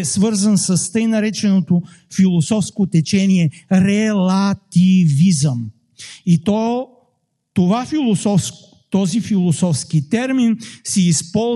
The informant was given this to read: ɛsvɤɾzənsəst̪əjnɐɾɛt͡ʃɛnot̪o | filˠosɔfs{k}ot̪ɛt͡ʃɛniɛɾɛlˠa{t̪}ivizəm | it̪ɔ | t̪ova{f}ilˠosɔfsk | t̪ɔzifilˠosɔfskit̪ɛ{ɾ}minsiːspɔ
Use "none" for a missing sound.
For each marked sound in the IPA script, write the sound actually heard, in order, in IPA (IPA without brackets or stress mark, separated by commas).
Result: k, t̪, f, ɾ